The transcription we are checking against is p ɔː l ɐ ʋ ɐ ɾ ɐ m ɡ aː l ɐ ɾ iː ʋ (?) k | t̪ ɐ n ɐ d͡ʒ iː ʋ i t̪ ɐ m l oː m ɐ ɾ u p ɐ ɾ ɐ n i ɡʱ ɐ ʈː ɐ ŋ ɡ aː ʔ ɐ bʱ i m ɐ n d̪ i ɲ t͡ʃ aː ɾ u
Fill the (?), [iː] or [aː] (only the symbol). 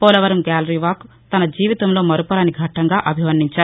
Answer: aː